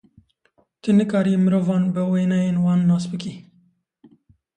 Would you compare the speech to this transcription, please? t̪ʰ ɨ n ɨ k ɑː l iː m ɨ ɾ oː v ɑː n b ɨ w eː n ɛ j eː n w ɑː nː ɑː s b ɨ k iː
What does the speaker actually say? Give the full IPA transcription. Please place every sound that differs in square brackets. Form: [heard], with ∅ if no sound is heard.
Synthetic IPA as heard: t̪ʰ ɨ n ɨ k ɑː [ɾ] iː m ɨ ɾ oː v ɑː n b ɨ w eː n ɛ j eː n w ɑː nː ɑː s b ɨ k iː